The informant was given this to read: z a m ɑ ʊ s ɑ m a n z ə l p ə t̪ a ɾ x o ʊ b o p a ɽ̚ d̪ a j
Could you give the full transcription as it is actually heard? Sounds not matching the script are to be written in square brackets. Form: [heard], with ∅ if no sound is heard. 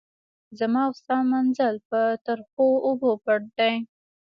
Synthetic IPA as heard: z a m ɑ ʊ s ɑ m a n z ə l p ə t̪ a ɾ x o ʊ b o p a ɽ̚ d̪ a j